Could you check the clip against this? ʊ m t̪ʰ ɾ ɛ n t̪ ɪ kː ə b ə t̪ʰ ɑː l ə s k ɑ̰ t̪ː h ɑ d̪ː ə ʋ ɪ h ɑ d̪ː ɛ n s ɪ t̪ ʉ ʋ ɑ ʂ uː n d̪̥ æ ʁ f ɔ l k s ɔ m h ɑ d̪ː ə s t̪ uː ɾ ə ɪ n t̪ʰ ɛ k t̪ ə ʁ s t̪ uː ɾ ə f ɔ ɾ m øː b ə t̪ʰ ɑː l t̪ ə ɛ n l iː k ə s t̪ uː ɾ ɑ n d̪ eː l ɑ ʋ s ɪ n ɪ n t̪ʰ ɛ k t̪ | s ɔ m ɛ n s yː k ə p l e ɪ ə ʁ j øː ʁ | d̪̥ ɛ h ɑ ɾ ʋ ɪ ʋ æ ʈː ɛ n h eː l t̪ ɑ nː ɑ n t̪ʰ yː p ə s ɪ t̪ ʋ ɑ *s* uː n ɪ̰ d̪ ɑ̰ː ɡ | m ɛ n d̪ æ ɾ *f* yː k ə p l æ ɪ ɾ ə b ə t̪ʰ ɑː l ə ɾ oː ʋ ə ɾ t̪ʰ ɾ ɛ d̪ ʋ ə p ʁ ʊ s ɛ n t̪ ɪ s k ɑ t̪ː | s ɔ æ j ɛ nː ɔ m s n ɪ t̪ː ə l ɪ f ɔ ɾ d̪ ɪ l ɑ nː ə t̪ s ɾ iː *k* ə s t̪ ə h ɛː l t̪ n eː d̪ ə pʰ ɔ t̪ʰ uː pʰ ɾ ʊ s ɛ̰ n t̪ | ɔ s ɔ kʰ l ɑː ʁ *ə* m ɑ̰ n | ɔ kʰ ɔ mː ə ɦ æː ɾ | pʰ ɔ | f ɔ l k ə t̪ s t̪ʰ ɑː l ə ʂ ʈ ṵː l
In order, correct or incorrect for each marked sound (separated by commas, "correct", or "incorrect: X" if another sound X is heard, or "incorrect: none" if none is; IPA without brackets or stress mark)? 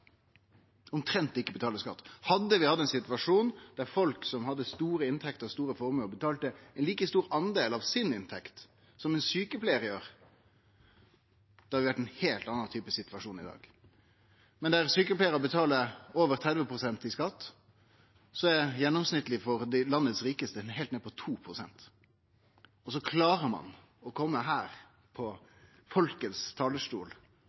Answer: incorrect: ʂ, incorrect: s, correct, correct